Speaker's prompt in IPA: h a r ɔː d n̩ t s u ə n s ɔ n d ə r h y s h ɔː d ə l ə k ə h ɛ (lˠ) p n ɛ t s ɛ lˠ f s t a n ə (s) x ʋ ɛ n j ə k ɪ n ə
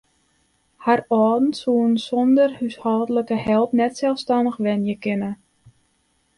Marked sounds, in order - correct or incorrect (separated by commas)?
correct, incorrect